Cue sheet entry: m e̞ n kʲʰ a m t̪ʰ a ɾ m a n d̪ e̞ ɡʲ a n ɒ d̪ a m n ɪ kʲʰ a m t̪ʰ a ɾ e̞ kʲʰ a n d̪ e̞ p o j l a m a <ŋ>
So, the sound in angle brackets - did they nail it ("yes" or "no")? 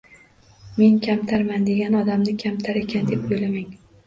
yes